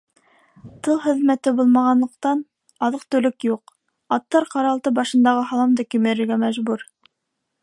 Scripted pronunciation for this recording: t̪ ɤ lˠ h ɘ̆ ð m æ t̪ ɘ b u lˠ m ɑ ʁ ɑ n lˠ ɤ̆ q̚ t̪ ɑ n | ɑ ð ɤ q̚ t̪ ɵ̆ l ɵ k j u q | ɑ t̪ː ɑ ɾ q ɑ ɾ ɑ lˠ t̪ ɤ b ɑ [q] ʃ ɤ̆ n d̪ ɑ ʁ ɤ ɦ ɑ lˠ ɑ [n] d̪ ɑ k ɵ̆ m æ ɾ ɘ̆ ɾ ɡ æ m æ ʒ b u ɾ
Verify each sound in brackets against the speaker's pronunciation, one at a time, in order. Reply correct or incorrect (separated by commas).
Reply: incorrect, incorrect